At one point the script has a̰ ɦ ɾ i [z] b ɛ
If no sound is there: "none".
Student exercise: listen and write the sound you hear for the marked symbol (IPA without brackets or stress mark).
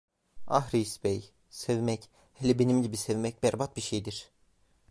s